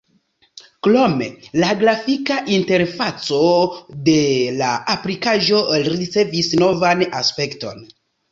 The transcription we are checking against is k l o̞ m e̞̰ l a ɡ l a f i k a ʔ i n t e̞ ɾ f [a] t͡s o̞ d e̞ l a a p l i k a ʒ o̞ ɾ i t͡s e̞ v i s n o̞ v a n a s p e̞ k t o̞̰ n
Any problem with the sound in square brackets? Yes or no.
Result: no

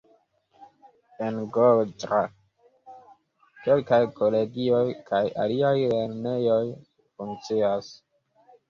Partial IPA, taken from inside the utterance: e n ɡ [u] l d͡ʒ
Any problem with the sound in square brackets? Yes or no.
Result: yes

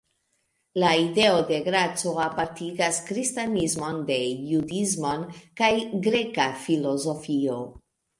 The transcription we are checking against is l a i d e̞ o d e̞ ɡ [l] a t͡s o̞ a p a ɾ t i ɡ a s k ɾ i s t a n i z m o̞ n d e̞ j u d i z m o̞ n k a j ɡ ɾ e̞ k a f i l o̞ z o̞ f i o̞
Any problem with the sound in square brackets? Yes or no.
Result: yes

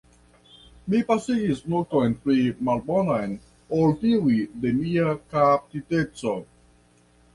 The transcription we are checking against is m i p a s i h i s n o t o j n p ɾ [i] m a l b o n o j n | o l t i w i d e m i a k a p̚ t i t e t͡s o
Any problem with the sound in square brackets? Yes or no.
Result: no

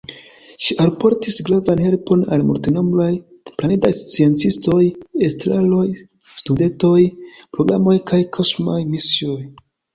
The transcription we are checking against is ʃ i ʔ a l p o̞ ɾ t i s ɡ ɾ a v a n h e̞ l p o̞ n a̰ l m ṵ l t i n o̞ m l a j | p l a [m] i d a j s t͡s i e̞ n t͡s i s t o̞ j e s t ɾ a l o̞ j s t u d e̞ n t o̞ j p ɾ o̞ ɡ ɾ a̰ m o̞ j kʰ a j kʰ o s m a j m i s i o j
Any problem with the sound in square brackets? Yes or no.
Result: yes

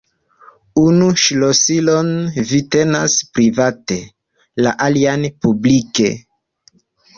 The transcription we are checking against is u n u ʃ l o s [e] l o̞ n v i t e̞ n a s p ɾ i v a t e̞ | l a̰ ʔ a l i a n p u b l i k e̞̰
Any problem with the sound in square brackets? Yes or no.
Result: yes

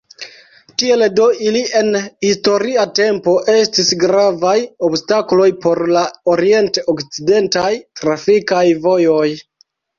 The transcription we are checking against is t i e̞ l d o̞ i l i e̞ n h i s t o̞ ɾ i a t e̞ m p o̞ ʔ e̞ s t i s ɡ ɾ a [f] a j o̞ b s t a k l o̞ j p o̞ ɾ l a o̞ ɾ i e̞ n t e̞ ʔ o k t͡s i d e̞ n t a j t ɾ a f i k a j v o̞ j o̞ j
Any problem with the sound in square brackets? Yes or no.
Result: yes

